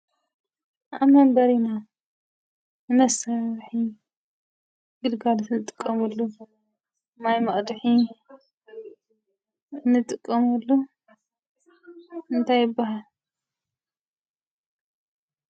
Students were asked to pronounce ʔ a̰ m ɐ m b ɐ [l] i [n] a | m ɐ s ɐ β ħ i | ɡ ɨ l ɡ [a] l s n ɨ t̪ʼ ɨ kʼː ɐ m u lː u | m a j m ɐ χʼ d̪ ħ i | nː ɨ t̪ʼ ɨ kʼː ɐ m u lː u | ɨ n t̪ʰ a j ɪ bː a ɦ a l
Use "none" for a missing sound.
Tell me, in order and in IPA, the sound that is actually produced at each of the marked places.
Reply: ɾ, n, a

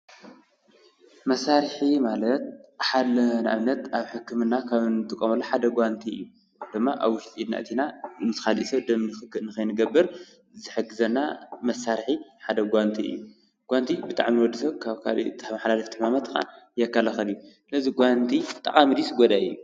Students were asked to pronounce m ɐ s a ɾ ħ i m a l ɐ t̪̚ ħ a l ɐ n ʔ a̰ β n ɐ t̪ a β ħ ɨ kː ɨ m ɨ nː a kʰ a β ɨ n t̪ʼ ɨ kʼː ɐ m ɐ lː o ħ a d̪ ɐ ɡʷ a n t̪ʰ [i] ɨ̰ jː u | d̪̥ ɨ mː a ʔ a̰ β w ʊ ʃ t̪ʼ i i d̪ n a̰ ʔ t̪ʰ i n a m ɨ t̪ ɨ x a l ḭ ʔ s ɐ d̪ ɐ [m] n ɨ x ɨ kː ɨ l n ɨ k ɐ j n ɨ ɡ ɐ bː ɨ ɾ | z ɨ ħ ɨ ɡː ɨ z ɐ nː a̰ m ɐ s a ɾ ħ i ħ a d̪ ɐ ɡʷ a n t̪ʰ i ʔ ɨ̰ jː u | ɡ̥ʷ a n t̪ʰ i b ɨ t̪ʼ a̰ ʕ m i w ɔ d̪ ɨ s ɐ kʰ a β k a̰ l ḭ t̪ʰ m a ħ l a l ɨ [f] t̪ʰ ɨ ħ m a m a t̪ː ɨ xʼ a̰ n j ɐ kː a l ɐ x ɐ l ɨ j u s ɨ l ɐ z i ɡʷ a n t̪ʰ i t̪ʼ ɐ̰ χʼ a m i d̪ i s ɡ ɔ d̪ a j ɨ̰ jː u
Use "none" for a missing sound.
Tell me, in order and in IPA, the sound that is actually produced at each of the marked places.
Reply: i, m, f

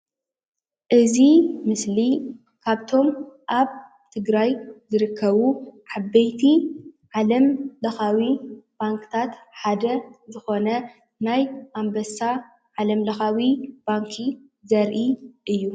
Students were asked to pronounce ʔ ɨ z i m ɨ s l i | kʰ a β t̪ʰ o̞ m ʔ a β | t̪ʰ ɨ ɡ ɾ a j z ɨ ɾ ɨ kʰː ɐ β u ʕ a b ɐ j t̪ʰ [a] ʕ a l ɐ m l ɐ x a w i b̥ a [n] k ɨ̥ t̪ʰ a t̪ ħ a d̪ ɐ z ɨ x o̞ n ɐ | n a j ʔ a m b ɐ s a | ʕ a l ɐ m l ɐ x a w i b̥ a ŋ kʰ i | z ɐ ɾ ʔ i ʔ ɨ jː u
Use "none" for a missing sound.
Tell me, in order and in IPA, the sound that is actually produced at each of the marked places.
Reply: i, ŋ

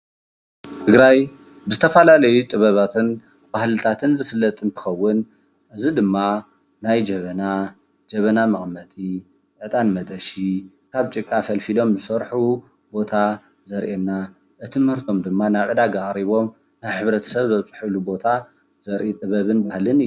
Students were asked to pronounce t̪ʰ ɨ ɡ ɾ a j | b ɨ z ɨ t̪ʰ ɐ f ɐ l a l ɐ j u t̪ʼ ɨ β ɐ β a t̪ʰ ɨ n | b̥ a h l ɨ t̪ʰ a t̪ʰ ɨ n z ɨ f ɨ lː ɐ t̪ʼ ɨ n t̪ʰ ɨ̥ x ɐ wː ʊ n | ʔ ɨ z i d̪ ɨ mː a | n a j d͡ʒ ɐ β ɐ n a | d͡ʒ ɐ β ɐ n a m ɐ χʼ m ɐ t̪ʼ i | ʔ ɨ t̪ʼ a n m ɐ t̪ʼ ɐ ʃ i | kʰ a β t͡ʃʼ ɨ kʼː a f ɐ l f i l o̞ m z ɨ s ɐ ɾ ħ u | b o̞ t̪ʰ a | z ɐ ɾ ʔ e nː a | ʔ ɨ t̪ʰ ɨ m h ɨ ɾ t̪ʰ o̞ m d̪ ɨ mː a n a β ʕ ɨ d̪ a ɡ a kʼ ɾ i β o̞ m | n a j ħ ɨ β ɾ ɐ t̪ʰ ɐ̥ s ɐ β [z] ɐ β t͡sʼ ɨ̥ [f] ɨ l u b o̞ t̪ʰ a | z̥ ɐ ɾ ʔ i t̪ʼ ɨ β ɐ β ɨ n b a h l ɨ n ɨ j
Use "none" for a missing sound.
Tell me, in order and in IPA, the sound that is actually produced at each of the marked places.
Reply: z, ħ

